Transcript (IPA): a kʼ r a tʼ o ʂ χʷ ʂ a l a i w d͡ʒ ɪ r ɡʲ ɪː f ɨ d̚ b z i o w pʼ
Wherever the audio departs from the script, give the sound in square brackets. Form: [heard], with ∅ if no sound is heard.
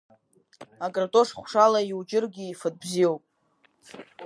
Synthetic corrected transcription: a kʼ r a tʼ o ʂ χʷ ʂ a l a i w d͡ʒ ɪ r ɡʲ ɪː f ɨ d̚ b z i o w pʼ